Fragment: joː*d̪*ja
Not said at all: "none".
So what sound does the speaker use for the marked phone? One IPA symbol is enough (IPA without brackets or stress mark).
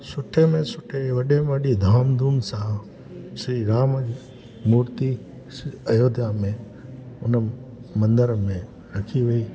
d̪